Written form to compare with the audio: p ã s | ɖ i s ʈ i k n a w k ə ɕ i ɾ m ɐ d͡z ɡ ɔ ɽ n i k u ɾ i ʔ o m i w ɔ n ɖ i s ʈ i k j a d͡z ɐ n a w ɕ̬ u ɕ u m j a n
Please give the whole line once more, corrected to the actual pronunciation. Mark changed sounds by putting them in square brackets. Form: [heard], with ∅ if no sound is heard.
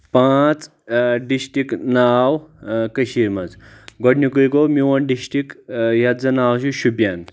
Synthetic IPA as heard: p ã [t͡s] | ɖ i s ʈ i k n a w k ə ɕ i ɾ m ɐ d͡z ɡ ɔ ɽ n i k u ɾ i [k] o m i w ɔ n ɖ i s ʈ i k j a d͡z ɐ n a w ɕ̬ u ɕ u [b] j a n